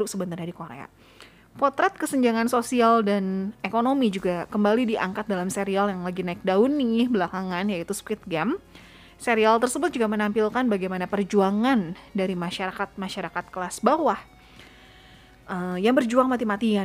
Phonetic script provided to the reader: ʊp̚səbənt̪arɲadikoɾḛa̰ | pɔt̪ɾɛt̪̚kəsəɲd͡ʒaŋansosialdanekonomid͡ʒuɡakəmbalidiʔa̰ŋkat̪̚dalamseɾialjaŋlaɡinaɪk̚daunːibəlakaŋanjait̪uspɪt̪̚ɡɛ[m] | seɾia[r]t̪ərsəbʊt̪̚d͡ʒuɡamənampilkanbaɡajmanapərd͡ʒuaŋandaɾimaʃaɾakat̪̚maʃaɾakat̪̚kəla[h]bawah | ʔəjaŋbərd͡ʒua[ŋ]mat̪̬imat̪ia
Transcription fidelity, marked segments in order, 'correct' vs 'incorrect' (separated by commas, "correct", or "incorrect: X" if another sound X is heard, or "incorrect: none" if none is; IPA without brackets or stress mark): correct, incorrect: l, incorrect: s, correct